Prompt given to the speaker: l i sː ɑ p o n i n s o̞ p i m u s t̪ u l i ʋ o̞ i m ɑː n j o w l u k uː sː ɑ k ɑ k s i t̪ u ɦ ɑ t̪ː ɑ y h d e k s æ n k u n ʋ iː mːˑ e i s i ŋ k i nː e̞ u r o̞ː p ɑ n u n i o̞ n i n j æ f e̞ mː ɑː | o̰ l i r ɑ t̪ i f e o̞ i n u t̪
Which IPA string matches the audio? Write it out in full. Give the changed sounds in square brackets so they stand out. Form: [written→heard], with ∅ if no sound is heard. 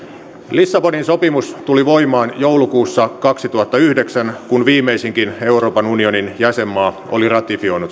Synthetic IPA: l i sː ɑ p o n i n s o̞ p i m u s t̪ u l i ʋ o̞ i m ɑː n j o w l u k uː sː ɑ k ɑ k s i t̪ u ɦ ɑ t̪ː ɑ y h d e k s æ n k u n ʋ iː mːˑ e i s i ŋ k i [nː→n] e̞ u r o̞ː p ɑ n u n i o̞ n i n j æ [f→s] e̞ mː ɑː | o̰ l i r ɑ t̪ i f [e→i] o̞ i n u t̪

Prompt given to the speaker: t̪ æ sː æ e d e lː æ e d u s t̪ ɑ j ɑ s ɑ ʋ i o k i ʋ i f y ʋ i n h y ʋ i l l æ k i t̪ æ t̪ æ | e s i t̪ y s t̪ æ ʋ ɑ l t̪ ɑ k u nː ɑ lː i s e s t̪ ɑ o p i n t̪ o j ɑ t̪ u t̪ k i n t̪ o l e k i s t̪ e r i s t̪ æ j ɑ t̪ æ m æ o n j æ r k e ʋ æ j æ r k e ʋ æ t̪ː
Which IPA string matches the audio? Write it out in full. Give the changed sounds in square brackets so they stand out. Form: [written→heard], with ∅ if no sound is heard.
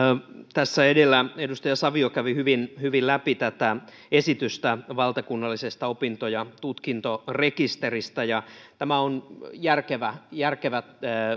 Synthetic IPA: t̪ æ sː æ e d e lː æ e d u s t̪ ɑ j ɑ s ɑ ʋ i o k [i→æ] ʋ i [f→h] y ʋ i n h y ʋ i l l æ [k→p] i t̪ æ t̪ æ | e s i t̪ y s t̪ æ ʋ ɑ l t̪ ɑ k u nː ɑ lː i s e s t̪ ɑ o p i n t̪ o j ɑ t̪ u t̪ k i n t̪ o [l→r] e k i s t̪ e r i s t̪ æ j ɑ t̪ æ m æ o n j æ r k e ʋ æ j æ r k e ʋ æ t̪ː

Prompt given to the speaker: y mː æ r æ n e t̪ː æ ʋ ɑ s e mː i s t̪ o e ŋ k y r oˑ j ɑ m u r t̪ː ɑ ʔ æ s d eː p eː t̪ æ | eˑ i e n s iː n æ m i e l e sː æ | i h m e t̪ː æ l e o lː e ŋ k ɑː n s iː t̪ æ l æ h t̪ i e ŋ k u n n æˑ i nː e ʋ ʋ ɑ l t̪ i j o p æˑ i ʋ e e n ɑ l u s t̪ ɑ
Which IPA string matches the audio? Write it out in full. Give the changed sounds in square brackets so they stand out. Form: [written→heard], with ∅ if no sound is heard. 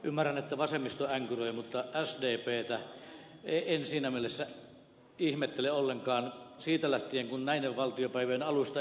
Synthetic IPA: y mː æ r æ n e t̪ː æ ʋ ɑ s e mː i s t̪ o [e→æ] ŋ k y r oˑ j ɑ m u [r→∅] t̪ː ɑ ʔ æ s d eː p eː t̪ æ | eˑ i e n s iː n æ m i e l e sː æ | i h m e t̪ː [æ→e] l e o lː e ŋ k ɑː n s iː t̪ æ l æ h t̪ i e ŋ k u n n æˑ i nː e ʋ ʋ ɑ l t̪ i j o p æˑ i ʋ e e n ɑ l u s t̪ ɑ

